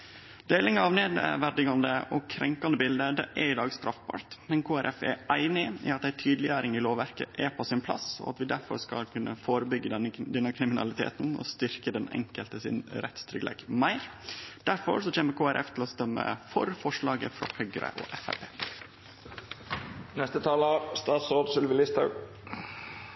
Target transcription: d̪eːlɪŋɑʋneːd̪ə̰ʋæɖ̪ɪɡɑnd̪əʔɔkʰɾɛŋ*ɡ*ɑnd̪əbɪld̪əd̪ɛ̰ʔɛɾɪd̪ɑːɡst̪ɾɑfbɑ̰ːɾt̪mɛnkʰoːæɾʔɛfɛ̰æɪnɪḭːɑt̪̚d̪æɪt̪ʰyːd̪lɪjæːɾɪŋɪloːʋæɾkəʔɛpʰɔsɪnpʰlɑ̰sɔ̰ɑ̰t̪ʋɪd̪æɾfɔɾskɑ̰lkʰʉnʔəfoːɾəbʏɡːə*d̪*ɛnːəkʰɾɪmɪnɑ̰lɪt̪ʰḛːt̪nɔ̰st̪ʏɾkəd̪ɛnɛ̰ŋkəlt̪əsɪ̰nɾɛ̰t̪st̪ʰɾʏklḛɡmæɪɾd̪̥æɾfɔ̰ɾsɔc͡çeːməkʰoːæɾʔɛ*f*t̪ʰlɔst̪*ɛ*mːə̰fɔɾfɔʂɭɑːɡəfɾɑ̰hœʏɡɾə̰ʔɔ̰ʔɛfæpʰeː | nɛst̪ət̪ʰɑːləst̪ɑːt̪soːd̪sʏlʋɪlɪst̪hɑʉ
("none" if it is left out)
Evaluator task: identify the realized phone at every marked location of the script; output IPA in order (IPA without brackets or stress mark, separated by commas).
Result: k, d̪, f, œ